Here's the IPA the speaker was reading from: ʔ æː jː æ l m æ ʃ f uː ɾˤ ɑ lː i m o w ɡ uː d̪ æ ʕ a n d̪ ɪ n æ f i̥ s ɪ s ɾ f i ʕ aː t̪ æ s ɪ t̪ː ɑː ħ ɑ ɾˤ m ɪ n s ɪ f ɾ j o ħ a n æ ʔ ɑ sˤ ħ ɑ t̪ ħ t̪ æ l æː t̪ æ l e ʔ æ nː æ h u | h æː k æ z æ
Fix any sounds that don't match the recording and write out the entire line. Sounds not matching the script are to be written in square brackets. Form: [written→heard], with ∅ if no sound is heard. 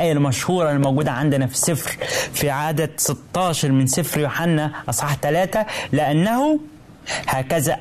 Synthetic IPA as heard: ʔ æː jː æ l m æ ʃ [f→h] uː ɾˤ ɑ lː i m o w ɡ uː d̪ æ ʕ a n d̪ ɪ n æ f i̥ s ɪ [s→f] ɾ f i ʕ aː [t̪→d̪] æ s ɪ t̪ː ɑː [ħ→ʃ] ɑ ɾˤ m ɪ n s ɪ f ɾ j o ħ a [n→nː] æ ʔ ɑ sˤ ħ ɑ [t̪→∅] ħ t̪ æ l æː t̪ æ l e ʔ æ nː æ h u | h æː k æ z æ